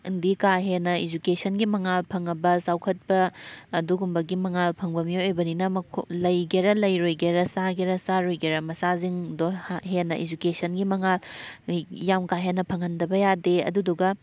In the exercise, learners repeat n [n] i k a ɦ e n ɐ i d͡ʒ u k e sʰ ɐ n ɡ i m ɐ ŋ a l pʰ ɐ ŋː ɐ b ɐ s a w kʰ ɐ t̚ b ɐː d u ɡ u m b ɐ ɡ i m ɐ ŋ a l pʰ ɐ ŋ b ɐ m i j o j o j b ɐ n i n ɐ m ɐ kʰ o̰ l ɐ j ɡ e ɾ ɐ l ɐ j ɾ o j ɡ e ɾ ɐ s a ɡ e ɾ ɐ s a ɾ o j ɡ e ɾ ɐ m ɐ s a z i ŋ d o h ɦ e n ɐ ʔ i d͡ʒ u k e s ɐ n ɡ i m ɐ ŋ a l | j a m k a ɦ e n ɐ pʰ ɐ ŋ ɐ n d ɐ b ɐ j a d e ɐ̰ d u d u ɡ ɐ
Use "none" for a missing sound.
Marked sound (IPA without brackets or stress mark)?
d